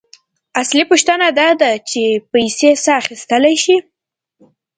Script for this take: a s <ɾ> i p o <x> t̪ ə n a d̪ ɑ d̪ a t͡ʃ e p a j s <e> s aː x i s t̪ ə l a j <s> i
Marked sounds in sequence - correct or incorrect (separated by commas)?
incorrect, incorrect, correct, incorrect